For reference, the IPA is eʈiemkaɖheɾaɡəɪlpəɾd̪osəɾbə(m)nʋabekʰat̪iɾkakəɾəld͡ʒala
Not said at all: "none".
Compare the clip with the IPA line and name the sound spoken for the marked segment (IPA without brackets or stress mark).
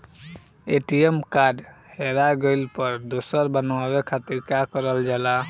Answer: none